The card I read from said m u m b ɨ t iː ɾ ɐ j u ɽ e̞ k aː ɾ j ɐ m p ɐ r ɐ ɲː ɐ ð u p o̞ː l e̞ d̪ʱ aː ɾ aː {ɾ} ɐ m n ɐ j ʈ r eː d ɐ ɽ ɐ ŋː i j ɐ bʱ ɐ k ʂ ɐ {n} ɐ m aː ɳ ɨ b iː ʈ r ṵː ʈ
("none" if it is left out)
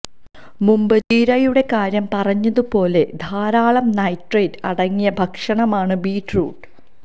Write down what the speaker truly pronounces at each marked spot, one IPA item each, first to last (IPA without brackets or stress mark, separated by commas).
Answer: ɭ, ɳ